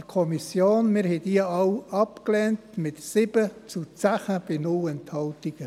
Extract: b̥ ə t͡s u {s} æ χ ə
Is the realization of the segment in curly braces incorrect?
yes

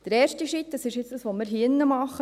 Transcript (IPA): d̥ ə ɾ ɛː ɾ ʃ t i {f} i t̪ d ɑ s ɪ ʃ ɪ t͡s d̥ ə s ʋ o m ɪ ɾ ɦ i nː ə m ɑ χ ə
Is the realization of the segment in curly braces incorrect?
yes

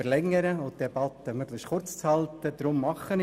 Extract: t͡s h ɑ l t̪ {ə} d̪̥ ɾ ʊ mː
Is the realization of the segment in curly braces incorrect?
no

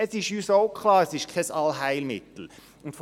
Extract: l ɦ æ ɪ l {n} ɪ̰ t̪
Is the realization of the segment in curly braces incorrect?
yes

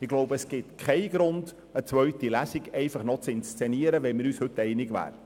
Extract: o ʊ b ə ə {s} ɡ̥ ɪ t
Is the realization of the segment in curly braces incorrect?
no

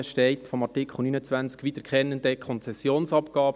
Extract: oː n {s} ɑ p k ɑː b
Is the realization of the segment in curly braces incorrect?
no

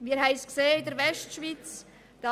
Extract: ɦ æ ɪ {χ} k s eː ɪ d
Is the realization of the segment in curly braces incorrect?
yes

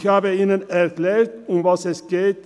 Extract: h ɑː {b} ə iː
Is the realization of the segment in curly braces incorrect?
no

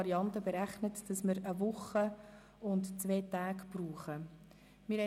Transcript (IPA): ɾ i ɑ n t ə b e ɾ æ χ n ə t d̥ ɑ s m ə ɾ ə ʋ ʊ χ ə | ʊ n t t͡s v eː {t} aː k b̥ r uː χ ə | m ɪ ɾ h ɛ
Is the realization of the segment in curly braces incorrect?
no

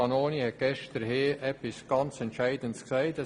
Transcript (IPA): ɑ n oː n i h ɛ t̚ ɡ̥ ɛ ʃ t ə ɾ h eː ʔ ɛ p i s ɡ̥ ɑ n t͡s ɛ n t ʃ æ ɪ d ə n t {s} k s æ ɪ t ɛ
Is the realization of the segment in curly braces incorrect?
no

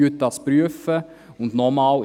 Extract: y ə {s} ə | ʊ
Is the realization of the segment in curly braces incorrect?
yes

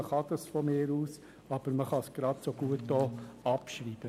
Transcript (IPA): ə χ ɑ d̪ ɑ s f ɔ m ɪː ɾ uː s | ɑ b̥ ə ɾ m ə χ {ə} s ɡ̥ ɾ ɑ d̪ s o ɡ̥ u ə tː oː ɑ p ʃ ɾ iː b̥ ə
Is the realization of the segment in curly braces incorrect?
yes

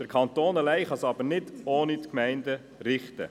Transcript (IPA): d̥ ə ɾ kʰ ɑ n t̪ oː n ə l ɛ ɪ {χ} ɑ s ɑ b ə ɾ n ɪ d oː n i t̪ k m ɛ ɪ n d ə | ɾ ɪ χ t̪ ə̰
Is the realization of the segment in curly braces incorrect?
no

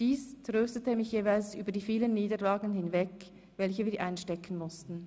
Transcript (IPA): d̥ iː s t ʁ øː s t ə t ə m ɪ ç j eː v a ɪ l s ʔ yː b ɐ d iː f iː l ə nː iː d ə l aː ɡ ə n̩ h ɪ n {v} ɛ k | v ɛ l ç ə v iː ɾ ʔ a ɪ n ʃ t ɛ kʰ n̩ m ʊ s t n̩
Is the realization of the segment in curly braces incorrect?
no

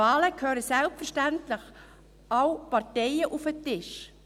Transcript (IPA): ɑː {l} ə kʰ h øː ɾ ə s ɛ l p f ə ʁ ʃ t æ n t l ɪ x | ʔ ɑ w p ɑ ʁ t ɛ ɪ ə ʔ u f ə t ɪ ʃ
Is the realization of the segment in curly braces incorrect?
no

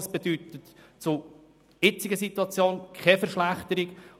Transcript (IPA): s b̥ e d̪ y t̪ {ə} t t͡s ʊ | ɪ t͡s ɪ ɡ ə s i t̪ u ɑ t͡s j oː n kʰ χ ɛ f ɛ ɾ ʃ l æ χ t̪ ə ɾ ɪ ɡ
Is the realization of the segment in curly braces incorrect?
no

